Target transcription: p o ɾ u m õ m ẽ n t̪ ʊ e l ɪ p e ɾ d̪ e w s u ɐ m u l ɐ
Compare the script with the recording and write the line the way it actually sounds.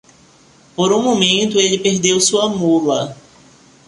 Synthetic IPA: p o ɾ ũ m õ m ẽ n t̪ ʊ e l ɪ p e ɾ d̪ e w s u ɐ m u l ɐ